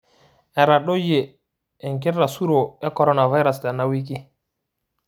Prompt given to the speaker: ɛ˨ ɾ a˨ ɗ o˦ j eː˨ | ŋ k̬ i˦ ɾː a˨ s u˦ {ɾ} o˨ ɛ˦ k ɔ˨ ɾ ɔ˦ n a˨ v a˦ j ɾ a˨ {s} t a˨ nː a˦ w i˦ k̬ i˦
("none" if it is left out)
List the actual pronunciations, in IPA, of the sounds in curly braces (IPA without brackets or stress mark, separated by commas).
ɾ, s